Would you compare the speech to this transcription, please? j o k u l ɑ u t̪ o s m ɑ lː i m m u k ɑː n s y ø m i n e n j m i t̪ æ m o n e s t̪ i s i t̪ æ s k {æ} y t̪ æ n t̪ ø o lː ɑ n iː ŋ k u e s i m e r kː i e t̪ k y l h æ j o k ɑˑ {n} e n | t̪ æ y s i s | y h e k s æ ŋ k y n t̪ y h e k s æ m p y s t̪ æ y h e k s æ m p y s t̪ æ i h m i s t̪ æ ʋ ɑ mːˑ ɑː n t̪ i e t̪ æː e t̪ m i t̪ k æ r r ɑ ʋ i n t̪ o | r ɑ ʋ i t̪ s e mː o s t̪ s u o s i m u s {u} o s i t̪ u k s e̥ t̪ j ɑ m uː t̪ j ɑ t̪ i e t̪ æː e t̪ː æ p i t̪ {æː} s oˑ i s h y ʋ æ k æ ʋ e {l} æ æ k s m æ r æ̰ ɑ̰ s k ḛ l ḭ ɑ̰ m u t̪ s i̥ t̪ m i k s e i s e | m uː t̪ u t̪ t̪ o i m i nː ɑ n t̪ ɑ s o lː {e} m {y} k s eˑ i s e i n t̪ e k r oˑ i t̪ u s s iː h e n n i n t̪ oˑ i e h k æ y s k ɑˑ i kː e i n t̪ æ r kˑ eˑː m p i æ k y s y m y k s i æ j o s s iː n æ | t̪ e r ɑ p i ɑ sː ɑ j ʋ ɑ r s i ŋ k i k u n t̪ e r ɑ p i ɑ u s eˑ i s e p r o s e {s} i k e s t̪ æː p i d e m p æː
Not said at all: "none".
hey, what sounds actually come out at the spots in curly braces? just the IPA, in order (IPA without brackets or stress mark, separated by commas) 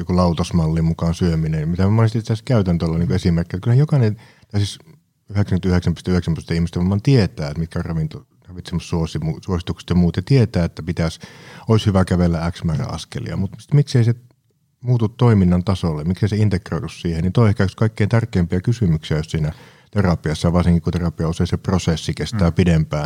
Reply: æ, n, u, æ, lː, e, i, sː